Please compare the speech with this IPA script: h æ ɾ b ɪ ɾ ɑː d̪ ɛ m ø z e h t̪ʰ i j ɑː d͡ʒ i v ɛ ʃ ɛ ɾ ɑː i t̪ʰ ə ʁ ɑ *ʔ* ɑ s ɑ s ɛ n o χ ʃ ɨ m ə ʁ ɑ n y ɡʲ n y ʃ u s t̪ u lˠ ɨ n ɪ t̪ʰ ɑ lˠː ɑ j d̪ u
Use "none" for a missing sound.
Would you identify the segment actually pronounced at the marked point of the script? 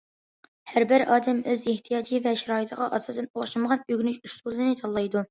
ʔ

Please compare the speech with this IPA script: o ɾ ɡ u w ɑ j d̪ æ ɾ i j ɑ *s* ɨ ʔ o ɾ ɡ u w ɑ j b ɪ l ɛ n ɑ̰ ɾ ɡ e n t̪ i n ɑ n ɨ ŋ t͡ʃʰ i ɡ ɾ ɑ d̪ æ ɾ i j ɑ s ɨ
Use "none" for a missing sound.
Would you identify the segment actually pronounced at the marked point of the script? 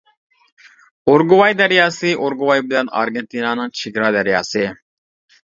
s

